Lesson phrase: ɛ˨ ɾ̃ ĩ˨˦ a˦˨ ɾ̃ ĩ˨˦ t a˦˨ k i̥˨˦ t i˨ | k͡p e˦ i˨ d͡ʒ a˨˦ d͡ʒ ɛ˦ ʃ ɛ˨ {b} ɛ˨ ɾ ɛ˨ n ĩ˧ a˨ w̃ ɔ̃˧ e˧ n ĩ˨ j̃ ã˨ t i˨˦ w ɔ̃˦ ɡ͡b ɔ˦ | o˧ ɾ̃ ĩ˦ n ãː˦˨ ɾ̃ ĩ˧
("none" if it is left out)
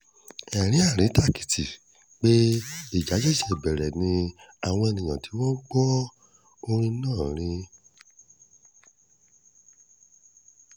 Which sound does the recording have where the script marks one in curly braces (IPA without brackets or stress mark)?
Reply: b